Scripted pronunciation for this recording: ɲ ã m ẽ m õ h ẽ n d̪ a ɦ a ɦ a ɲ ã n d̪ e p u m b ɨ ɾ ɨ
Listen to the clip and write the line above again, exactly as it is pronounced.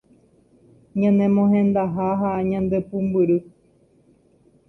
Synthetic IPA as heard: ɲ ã n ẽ m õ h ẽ n d̪ a ɦ a ɦ a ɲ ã n d̪ e p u m b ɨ ɾ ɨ